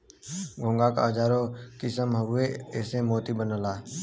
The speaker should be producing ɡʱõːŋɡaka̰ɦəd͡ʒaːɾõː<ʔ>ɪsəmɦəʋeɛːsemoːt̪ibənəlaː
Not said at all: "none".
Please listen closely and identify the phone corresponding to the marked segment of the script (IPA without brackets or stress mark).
k